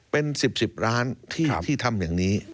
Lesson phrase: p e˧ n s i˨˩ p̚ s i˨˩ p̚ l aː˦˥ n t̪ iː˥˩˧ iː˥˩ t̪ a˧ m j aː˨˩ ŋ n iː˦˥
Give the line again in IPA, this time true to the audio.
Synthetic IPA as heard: p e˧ n s i˨˩ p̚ s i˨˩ p̚ ɾ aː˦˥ n t̪ʰ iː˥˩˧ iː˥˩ t̪ʰ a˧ m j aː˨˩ ŋ n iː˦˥